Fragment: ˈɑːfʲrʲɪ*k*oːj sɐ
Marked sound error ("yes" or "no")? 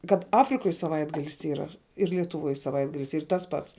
no